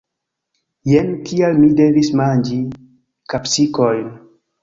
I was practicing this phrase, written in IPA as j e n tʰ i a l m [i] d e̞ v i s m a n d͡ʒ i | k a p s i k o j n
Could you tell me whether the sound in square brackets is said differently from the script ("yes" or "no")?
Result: no